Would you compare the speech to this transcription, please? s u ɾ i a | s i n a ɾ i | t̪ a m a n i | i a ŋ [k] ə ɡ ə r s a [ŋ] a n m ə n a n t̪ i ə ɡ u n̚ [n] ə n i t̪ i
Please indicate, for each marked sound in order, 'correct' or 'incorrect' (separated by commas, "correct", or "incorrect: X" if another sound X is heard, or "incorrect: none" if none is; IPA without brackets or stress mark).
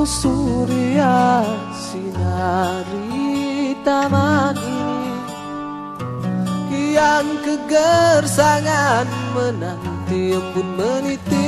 correct, correct, incorrect: m